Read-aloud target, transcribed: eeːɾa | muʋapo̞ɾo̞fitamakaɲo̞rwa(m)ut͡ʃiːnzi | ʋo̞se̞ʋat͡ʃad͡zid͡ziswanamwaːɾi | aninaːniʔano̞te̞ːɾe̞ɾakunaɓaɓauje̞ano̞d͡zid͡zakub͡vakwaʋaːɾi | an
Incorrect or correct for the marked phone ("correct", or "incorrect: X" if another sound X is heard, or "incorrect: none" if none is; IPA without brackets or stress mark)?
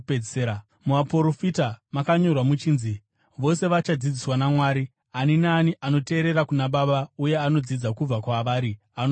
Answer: correct